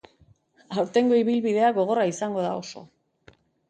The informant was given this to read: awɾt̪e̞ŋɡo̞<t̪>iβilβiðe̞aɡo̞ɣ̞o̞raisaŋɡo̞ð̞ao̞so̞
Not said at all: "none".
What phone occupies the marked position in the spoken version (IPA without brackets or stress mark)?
none